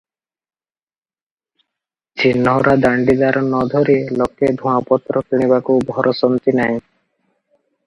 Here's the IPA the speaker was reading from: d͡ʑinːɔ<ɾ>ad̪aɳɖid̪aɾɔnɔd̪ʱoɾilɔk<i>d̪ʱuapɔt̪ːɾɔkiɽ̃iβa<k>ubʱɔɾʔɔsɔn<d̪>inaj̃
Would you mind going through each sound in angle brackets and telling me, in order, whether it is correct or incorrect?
correct, incorrect: e, correct, incorrect: t̪

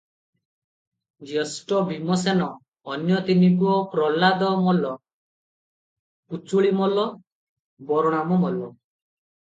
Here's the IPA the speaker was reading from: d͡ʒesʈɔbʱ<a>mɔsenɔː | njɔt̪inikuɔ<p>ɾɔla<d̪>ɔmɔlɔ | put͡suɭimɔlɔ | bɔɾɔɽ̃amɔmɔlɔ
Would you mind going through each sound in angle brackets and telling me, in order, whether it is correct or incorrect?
incorrect: i, correct, correct

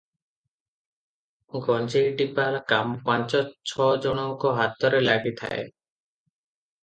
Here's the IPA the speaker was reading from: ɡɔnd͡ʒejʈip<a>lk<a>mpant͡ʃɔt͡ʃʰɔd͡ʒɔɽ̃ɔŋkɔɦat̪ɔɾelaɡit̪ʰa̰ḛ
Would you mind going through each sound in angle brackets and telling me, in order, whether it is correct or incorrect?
correct, correct

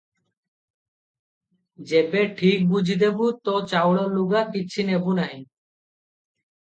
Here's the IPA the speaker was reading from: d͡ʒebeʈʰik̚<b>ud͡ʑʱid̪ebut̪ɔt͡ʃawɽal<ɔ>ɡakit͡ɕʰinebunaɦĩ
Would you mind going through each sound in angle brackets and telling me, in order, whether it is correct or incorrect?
correct, incorrect: u

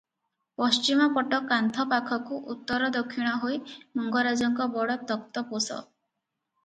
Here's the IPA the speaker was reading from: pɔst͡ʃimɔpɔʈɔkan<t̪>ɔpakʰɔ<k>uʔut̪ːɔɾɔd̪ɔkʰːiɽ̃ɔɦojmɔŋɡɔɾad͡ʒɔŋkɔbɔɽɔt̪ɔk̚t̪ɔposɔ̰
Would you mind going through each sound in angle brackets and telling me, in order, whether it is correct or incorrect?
incorrect: t̪ʰ, correct

